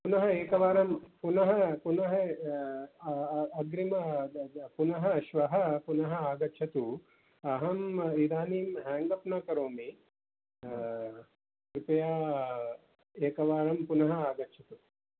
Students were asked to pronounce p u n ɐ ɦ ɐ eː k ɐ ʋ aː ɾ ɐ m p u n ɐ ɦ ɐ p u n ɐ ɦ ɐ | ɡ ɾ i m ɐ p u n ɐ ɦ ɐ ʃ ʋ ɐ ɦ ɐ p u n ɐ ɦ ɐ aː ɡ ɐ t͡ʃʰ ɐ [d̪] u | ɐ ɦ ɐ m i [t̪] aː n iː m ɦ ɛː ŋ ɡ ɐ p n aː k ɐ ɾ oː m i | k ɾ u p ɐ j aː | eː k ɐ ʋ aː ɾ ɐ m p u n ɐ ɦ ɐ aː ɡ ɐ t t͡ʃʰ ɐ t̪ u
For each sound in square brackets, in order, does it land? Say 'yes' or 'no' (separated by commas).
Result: no, no